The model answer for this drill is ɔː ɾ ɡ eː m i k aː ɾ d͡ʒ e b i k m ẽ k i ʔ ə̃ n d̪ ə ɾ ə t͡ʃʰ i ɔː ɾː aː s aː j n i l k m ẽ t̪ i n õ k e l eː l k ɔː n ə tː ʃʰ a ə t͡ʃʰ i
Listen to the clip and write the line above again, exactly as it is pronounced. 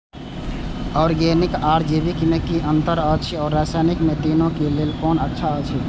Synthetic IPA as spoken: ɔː ɾ ɡ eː n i k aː ɾ d͡ʒ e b i k m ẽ k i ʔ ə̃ n t̪ ə ɾ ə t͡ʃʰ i ɔː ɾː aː s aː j n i k m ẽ t̪ i n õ k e l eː l k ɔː n ə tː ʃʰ a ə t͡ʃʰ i